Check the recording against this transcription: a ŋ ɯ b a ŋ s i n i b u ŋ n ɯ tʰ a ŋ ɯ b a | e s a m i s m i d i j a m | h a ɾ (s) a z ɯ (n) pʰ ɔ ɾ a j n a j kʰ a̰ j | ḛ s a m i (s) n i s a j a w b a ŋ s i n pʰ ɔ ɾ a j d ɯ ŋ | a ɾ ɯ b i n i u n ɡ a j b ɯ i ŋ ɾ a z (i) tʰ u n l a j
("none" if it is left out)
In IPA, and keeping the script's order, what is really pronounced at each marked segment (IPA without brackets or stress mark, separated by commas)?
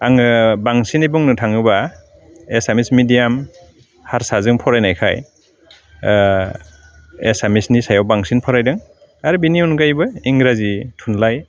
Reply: s, ŋ, s, i